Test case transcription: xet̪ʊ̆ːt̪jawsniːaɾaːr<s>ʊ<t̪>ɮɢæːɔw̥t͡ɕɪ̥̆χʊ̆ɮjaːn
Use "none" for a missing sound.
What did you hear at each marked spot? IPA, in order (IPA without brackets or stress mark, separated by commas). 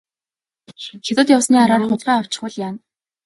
χ, none